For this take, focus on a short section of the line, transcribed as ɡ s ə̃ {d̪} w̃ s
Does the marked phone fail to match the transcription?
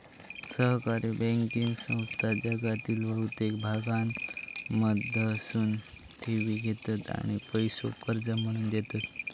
yes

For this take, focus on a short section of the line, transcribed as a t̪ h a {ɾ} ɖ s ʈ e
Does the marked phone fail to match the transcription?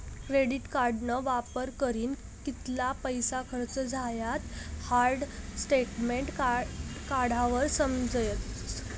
no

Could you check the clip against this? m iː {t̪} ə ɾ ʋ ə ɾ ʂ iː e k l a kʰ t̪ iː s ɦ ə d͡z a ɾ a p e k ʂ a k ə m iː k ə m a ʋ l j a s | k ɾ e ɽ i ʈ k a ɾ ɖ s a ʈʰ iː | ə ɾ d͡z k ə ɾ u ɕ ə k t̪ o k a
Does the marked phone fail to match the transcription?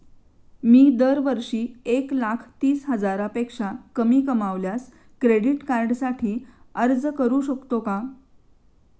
yes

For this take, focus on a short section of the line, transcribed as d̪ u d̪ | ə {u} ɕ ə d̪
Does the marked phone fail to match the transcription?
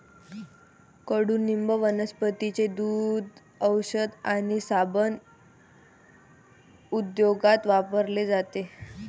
yes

